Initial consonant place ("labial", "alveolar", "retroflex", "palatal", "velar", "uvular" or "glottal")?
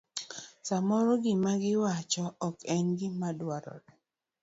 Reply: alveolar